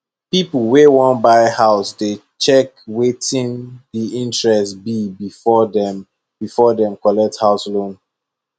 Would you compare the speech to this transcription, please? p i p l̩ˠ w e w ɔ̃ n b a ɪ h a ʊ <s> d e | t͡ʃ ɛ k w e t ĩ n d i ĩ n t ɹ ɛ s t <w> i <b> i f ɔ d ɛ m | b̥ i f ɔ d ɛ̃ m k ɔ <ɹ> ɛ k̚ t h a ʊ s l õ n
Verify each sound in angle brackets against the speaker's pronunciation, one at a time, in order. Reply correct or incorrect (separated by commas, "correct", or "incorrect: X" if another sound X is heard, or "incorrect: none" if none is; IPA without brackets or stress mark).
correct, incorrect: b, correct, incorrect: l